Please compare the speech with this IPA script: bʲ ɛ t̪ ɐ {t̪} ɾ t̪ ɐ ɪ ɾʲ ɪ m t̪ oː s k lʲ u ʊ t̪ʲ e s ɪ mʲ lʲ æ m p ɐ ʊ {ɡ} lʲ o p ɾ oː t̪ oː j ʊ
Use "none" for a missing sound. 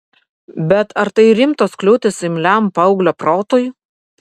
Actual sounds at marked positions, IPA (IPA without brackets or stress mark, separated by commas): none, ɡ